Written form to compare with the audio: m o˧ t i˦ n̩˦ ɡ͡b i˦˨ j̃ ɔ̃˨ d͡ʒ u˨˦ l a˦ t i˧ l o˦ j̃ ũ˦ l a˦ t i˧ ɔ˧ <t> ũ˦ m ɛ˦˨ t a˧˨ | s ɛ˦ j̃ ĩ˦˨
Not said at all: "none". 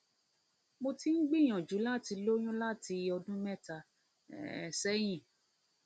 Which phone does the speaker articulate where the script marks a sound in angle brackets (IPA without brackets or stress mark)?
d